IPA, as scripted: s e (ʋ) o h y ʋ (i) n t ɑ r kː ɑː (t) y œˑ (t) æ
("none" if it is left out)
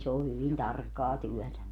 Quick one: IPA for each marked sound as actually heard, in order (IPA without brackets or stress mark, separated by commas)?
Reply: none, i, t, t